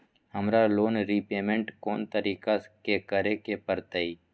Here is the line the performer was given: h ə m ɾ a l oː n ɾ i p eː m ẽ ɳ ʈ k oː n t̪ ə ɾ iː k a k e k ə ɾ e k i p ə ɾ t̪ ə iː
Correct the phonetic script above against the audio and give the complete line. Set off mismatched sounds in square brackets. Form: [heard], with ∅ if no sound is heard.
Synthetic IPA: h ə m ɾ a l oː n ɾ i p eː m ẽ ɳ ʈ k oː n t̪ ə ɾ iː k a k e k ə ɾ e k [e] p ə ɾ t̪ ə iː